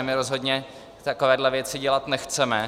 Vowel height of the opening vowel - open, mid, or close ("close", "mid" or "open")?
close